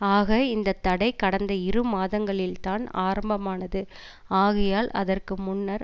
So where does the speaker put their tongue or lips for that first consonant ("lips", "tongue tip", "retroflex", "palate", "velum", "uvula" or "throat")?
velum